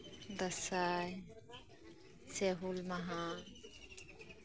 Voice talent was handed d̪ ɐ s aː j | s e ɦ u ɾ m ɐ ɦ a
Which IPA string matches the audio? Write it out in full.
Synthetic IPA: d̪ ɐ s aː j | s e ɦ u l m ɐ ɦ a